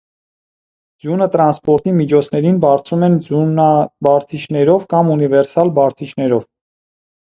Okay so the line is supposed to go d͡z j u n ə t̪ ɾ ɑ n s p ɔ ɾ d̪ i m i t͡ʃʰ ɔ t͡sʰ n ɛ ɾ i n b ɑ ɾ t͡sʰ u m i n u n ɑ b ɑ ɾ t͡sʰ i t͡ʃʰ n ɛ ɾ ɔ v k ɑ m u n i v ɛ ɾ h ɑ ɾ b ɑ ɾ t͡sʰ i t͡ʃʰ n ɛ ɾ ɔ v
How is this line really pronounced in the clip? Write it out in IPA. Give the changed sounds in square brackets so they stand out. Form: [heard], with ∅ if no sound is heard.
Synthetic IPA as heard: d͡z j u n ə t̪ ɾ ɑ n s p ɔ ɾ [t̪] i m i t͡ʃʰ ɔ t͡sʰ n ɛ ɾ i n b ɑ ɾ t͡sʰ u m [ɛ] n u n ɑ b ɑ ɾ t͡sʰ i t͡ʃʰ n ɛ ɾ ɔ v k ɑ m u n i v ɛ ɾ [s] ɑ [l] b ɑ ɾ t͡sʰ i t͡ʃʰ n ɛ ɾ ɔ v